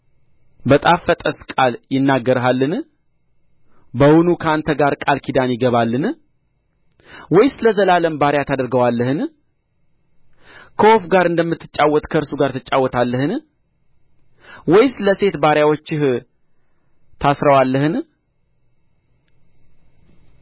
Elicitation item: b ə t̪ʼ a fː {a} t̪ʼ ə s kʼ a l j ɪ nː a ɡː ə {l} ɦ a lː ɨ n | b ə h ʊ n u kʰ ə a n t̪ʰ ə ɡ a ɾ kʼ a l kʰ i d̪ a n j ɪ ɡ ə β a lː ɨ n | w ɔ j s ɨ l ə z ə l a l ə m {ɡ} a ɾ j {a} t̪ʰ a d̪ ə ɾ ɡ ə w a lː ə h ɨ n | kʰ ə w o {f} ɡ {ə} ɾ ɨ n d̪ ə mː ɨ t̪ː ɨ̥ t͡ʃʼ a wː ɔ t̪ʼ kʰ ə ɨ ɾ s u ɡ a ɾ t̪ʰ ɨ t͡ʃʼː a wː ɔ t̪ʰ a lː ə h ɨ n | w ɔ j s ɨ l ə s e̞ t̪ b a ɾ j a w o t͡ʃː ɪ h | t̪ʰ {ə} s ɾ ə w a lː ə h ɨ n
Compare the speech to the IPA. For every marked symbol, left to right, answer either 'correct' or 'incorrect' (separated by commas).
incorrect, incorrect, incorrect, correct, correct, incorrect, incorrect